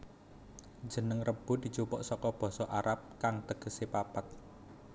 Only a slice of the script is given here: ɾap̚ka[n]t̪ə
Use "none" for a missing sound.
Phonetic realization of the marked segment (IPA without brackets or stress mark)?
ŋ